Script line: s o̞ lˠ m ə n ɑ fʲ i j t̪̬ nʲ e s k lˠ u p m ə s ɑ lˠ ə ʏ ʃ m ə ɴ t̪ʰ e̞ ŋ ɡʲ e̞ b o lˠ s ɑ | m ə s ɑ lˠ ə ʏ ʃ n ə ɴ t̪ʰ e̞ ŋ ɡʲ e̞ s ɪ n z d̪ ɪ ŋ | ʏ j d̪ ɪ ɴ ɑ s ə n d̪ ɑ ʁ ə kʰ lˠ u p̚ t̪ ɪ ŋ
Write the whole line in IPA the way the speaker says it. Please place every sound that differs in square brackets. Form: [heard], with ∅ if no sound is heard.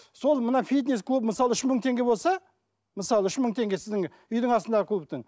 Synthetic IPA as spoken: s o̞ lˠ m ə n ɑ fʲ i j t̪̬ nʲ e s k lˠ u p m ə s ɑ lˠ ə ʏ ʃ m ə ɴ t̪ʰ e̞ ŋ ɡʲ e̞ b o lˠ s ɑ | m ə s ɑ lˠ ə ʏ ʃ [m] ə ɴ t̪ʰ e̞ ŋ ɡʲ e̞ s ɪ [∅] z d̪ ɪ ŋ | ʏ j d̪ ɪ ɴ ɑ s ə n d̪ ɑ ʁ ə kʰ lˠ u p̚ t̪ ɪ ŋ